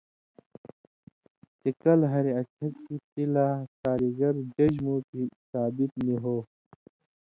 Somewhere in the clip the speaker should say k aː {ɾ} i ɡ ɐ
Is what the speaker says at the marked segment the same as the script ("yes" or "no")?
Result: yes